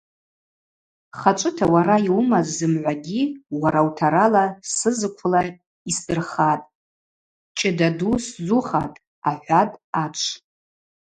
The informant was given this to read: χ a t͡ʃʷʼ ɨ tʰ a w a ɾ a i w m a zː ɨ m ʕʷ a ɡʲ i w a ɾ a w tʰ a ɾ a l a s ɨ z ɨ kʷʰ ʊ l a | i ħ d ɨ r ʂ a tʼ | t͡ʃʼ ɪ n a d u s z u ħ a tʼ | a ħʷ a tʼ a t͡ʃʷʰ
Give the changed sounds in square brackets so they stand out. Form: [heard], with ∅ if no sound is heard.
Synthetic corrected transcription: χ a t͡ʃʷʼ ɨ tʰ a w a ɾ a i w m a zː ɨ m ʕʷ a ɡʲ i w a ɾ a w tʰ a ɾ a l a s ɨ z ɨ kʷʰ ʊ l a | i [s] d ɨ r [χ] a tʼ | t͡ʃʼ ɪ [d] a d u s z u [χ] a tʼ | a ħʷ a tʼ a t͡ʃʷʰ